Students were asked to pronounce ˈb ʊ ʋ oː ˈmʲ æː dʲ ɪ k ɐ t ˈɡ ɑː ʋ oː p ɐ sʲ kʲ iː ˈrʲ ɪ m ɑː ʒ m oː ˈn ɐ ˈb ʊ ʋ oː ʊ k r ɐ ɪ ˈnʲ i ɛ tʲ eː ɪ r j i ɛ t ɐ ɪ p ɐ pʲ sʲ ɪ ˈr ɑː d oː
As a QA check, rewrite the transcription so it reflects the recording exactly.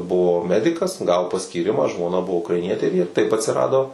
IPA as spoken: ˈb ʊ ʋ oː ˈmʲ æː dʲ ɪ k ɐ s ˈɡ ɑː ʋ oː p ɐ sʲ kʲ iː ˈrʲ ɪ m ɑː ʒ m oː ˈn ɐ ˈb ʊ ʋ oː ʊ k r ɐ ɪ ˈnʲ i ɛ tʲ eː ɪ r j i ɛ t ɐ ɪ p ɐ tʲ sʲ ɪ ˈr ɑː d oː